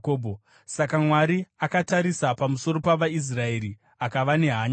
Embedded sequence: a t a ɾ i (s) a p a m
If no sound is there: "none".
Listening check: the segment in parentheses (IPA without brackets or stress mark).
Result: s